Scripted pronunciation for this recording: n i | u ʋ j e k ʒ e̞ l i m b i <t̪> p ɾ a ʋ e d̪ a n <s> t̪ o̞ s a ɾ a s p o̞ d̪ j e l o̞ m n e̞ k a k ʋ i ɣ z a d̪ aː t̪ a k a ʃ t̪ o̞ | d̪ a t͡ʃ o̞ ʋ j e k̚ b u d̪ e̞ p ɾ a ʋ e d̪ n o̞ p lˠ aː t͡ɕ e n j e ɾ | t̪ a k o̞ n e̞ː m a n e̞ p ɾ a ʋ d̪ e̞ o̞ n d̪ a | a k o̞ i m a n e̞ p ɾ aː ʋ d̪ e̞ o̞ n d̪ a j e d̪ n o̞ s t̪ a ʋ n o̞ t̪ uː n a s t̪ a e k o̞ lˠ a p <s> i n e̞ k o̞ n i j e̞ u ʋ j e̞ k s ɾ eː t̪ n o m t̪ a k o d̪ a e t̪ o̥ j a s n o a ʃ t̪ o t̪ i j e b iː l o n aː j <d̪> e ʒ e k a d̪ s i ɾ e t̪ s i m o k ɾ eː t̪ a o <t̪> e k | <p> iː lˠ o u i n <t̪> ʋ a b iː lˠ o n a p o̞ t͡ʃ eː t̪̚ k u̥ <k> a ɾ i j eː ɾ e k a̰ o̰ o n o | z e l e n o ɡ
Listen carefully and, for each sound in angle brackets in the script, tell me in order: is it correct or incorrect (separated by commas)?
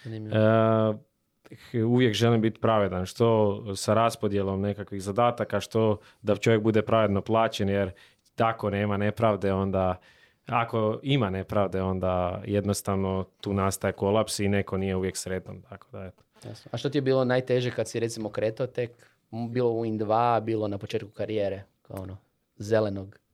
correct, incorrect, correct, incorrect, correct, incorrect, incorrect, correct